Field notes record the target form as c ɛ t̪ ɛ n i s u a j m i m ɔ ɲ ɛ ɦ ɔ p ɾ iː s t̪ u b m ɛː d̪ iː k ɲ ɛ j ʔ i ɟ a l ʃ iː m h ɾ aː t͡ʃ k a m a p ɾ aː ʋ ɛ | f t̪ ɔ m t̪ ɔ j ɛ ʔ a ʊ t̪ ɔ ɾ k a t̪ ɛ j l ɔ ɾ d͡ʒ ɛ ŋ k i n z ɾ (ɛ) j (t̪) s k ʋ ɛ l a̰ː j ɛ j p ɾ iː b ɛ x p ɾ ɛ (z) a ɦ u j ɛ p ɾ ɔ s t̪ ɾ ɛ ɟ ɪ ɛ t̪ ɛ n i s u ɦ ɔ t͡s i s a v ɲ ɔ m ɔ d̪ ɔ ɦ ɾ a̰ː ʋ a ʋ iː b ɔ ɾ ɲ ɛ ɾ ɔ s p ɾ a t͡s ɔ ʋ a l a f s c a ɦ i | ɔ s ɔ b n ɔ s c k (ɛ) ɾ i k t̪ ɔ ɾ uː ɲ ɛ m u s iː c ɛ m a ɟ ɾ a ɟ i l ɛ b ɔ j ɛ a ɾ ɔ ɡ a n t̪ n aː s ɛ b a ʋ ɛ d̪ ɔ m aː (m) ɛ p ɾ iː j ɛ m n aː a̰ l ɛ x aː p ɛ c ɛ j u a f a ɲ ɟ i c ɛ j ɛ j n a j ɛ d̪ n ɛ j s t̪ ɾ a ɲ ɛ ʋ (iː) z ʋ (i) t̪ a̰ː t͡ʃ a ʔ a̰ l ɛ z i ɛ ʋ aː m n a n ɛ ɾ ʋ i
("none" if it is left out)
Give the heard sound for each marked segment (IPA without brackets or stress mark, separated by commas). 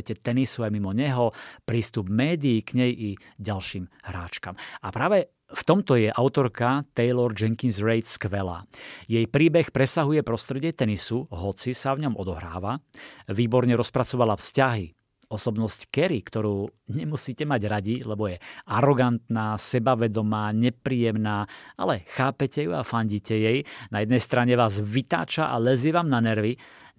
ɛ, t̪, s, ɛ, ɲ, aː, i